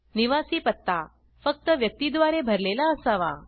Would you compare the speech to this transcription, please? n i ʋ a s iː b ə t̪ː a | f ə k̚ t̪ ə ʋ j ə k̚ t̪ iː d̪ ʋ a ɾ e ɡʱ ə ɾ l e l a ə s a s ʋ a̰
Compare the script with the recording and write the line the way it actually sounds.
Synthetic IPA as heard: n i ʋ a s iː p ə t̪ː a | f ə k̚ t̪ ə ʋ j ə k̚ t̪ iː d̪ ʋ a ɾ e bʱ ə ɾ l e l a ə s a ʋ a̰